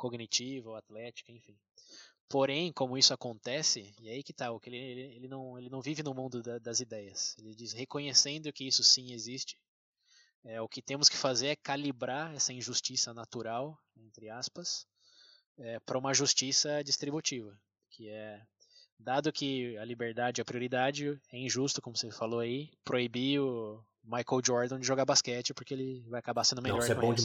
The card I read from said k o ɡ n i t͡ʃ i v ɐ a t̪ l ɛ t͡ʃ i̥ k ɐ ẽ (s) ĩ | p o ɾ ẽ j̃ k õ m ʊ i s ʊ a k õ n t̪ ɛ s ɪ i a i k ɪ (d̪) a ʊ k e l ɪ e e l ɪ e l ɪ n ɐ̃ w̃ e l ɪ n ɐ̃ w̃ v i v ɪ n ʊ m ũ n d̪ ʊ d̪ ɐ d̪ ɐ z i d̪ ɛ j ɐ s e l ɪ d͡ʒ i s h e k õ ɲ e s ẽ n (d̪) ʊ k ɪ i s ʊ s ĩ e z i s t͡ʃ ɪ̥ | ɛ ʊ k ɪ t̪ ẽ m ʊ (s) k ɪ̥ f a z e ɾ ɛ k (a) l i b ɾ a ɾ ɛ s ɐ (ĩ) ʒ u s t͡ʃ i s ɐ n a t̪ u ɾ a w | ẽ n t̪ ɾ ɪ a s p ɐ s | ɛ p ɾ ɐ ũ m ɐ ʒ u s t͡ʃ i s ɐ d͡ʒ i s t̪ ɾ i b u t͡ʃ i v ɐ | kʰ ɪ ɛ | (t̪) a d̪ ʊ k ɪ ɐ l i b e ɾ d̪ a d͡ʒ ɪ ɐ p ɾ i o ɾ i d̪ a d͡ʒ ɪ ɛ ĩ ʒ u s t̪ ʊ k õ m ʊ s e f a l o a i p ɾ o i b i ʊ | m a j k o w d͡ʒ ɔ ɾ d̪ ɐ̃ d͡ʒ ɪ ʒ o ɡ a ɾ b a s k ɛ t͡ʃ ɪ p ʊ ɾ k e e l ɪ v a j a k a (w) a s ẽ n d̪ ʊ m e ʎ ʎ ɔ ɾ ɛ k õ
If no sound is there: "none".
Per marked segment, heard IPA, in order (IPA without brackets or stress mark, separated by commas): f, t̪, d̪, s, a, ĩ, d̪, b